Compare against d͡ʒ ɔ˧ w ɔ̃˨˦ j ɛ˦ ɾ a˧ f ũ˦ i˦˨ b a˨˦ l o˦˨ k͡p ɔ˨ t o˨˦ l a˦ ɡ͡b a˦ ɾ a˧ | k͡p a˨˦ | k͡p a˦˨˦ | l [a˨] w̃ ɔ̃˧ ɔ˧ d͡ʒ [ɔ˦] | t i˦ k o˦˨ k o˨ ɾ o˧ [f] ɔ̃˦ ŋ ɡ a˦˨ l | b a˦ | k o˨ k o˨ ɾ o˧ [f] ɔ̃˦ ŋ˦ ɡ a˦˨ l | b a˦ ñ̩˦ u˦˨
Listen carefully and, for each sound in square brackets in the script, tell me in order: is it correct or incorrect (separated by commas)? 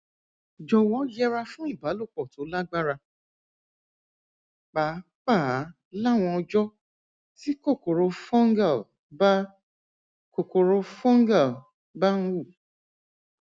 incorrect, correct, correct, correct